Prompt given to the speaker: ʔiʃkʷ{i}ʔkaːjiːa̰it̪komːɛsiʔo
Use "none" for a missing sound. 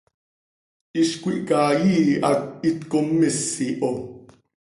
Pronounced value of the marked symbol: i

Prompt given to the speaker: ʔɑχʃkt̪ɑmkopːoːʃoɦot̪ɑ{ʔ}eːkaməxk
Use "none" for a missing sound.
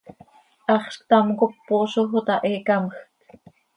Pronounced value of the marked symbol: ʔ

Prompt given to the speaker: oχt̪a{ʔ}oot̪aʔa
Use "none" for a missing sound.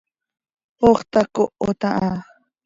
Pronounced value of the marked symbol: k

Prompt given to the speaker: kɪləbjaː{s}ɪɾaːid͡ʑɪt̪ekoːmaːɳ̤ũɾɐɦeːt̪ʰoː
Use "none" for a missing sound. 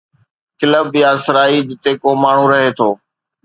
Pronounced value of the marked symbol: s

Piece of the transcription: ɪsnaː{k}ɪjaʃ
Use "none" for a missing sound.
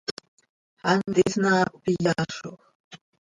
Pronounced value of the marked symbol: p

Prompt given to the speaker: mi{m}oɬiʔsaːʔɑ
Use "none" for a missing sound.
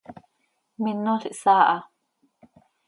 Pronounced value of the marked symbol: n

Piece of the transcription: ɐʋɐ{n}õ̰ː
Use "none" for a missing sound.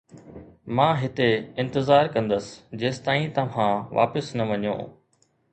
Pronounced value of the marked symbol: ɲ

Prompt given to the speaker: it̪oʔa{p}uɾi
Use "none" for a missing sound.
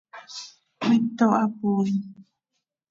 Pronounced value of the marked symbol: p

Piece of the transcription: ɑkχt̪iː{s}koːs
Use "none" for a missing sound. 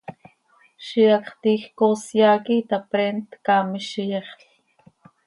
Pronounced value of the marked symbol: x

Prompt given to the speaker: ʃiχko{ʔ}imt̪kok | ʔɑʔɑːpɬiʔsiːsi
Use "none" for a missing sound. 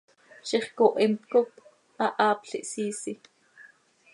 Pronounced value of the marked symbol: ʔ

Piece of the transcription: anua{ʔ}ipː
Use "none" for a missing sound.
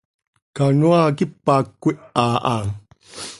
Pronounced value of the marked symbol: k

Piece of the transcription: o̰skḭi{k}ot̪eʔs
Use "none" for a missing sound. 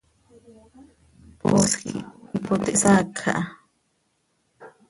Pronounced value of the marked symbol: p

